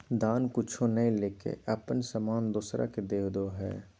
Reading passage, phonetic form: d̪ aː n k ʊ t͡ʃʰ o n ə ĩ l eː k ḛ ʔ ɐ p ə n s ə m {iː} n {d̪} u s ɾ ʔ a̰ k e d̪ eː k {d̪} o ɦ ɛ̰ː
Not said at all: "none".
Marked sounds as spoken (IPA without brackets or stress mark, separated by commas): aː, d̪, d̪